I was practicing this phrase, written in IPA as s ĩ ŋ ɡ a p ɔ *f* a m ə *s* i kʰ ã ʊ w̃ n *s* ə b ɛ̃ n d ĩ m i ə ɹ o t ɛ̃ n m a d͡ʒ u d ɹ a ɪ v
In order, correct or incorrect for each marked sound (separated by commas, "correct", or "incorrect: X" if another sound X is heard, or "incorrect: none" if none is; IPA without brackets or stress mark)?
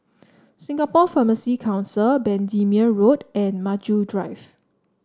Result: correct, correct, correct